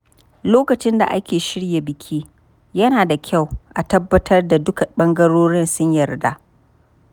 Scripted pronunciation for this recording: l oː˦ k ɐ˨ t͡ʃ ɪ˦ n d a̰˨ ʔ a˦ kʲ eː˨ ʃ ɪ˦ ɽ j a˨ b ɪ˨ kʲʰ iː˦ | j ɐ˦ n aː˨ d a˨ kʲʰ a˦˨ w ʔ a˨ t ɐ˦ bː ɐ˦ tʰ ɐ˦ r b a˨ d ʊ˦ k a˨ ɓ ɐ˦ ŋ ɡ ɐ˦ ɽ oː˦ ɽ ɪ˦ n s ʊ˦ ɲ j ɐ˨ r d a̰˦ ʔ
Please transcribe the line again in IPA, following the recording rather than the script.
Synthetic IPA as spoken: l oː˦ k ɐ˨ t͡ʃ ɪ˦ n d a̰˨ ʔ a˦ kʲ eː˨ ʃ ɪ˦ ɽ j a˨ b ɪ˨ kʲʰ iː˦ | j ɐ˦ n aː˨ d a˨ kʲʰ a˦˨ w ʔ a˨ t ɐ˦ bː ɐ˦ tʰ ɐ˦ r d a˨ d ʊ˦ k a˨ ɓ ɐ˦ ŋ ɡ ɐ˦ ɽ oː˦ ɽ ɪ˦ n s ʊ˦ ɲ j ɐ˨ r d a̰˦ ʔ